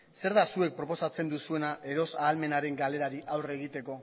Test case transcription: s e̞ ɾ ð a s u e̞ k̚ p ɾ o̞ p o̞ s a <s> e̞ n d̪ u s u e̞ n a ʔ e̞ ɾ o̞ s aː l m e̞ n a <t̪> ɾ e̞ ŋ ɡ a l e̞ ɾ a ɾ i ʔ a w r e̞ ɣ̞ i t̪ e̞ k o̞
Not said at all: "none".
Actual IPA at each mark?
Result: t͡s, none

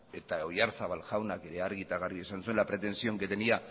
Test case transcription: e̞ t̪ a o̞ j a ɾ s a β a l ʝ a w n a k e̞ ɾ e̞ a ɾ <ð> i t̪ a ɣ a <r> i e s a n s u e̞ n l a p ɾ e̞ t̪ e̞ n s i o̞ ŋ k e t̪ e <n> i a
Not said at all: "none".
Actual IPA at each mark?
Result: ɣ, r, n

